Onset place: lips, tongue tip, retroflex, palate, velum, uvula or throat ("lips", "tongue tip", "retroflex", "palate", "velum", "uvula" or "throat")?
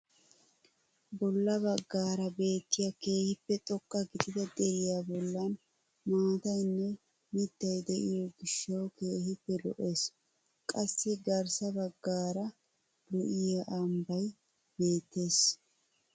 lips